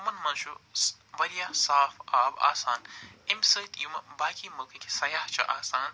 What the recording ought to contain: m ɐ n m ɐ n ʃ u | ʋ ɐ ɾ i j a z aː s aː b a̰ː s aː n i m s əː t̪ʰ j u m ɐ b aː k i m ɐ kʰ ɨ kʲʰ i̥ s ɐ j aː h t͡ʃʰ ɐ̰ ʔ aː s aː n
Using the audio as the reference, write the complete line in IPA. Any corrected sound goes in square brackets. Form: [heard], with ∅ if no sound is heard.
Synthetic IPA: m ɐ n m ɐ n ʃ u | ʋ ɐ ɾ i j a [s] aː [f] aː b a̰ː s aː n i m s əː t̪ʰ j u m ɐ b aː k i m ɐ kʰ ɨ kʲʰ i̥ s ɐ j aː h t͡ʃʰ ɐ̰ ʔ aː s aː n